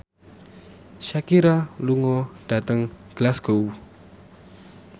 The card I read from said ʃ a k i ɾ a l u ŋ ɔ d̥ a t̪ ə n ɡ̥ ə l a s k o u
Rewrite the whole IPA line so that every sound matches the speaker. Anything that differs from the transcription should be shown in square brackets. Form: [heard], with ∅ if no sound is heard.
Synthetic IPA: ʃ a k i ɾ a l u ŋ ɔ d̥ a t̪ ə [ŋ] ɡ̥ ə l a s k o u